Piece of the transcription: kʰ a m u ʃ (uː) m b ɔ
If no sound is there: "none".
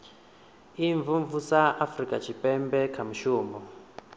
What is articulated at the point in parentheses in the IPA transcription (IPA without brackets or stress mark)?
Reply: uː